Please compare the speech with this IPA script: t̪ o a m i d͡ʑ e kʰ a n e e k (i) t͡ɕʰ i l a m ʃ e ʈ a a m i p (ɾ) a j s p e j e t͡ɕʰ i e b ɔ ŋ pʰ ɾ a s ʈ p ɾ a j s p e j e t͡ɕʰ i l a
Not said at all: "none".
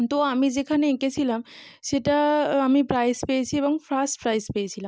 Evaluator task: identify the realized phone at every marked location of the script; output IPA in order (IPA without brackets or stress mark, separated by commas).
e, ɾ